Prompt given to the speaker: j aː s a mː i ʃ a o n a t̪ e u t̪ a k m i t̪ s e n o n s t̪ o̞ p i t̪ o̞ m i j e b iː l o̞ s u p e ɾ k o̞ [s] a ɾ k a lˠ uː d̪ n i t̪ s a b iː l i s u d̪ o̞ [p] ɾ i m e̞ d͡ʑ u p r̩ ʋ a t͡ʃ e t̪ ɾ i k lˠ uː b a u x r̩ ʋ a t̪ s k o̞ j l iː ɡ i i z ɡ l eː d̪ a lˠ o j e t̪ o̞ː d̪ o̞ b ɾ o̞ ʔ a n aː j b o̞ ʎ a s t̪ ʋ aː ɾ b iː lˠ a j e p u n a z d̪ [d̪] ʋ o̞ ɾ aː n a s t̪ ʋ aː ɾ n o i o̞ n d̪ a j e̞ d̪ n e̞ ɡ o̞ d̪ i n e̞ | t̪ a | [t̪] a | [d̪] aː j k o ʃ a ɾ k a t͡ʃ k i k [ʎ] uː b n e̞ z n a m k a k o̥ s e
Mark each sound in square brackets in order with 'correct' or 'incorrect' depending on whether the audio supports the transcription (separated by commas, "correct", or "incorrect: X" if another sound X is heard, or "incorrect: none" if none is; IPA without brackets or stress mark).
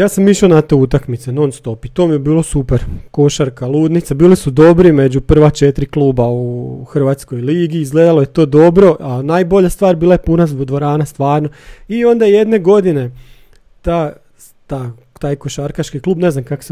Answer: incorrect: ʃ, incorrect: b, correct, correct, incorrect: t̪, incorrect: l